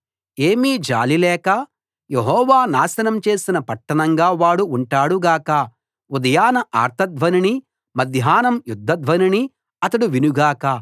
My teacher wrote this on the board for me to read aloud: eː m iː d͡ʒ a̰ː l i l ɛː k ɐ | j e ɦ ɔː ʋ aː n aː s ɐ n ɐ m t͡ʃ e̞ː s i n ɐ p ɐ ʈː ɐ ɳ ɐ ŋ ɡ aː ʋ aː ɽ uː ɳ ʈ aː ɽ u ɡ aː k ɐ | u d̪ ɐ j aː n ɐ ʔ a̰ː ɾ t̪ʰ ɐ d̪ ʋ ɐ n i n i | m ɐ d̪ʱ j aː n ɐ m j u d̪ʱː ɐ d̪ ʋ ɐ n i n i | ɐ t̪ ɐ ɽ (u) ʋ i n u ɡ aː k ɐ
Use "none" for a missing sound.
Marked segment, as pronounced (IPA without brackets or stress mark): u